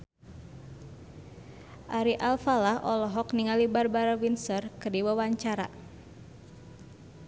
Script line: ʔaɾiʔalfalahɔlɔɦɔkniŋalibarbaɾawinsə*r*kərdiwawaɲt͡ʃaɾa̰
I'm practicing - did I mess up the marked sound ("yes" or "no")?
no